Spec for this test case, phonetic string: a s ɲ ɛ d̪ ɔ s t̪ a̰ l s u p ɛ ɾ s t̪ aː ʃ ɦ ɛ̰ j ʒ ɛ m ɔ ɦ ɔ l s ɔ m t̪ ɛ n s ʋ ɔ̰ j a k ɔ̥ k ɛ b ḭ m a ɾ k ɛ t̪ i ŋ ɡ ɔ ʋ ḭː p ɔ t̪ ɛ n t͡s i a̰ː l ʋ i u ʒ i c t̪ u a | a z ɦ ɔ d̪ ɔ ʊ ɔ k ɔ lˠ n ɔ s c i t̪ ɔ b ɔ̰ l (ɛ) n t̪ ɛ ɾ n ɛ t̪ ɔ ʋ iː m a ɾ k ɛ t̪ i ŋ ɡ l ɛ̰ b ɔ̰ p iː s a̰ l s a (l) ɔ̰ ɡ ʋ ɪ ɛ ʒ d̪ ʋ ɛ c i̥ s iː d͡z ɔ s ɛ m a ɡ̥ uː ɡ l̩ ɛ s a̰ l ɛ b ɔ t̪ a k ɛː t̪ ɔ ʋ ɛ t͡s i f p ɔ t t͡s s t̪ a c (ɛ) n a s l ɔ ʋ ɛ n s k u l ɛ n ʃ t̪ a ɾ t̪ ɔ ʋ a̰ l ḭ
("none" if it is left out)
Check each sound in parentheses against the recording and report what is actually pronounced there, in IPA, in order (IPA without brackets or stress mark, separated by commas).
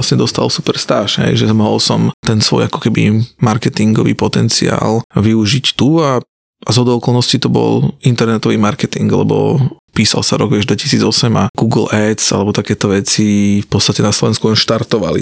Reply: i, ɾ, ɛ